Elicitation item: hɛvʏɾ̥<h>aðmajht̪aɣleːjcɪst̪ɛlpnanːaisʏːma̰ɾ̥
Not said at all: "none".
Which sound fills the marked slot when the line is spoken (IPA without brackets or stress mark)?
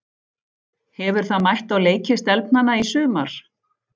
θ